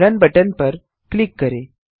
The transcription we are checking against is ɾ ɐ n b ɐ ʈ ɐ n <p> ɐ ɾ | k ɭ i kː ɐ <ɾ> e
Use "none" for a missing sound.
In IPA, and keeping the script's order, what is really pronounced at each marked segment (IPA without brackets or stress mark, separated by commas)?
p, ɾ